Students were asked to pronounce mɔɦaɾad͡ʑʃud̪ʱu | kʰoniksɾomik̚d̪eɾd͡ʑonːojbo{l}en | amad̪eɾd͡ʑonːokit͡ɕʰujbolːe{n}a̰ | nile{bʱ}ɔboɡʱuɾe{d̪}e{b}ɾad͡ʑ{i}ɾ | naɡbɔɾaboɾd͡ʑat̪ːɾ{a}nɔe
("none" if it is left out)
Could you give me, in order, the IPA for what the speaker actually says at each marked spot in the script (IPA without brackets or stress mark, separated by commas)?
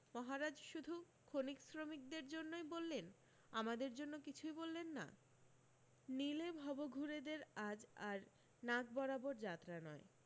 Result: lː, nː, bʱ, d̪, none, a, a